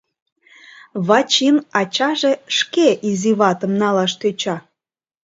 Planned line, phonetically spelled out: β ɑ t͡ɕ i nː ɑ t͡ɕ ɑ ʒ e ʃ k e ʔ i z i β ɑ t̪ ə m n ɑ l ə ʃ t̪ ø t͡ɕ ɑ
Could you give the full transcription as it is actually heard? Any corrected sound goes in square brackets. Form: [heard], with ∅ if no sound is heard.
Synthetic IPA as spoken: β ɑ t͡ɕ i [n] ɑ t͡ɕ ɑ ʒ e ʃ k e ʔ i z i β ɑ t̪ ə m n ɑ l [ɑ] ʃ t̪ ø t͡ɕ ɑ